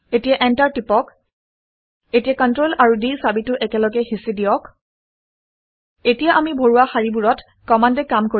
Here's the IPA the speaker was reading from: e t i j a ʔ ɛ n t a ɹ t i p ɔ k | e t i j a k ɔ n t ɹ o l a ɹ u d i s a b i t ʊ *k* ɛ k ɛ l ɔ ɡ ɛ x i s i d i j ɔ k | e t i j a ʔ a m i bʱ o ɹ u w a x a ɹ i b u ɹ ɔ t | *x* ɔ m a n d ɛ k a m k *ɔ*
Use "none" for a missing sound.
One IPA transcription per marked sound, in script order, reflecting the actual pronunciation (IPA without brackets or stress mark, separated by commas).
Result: ʔ, k, o